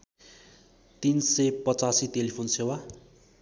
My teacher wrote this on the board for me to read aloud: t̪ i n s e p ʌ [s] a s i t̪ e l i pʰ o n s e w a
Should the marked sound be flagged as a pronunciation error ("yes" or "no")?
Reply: yes